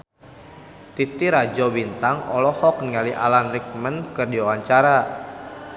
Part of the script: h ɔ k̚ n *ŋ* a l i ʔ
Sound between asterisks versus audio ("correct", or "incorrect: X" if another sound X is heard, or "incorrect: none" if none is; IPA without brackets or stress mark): correct